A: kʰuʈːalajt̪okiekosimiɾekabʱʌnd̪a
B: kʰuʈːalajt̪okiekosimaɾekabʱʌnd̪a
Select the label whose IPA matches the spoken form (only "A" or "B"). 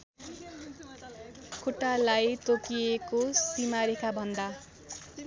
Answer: B